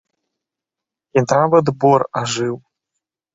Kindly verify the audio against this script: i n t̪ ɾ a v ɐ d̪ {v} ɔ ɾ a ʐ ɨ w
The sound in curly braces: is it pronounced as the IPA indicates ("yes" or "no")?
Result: no